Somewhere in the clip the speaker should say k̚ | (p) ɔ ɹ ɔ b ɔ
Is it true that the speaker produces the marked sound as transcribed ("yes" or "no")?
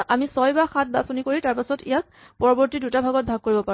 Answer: yes